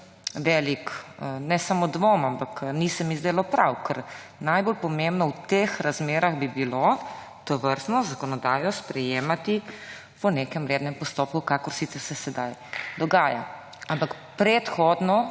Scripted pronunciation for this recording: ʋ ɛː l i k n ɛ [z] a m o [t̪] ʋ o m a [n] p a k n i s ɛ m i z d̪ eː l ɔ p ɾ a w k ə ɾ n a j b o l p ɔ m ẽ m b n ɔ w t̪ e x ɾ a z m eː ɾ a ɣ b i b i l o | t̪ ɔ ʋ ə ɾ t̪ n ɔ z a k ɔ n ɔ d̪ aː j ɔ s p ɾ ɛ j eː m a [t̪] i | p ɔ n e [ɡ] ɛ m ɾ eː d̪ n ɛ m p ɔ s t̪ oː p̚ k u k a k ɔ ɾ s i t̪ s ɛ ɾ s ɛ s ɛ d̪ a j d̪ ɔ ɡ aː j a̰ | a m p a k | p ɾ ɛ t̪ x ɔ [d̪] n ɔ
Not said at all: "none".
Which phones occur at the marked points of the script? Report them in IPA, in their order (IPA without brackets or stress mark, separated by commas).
s, d̪, m, t̪, k, d̪